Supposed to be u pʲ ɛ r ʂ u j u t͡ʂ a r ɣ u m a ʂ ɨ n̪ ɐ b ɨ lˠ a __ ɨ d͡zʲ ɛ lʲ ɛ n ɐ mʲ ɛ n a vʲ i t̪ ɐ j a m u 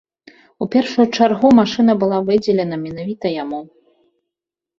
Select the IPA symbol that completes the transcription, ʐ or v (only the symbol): v